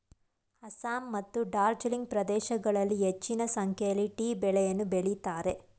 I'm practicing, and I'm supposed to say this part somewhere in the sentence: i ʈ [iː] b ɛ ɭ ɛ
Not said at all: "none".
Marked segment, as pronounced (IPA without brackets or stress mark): iː